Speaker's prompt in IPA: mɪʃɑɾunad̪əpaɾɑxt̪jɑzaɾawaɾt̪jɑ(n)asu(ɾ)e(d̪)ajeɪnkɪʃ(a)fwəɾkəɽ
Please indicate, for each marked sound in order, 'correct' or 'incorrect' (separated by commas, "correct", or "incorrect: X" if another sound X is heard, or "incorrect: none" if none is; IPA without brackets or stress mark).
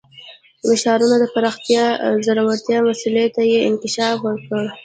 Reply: incorrect: m, incorrect: l, incorrect: t̪, incorrect: ɑ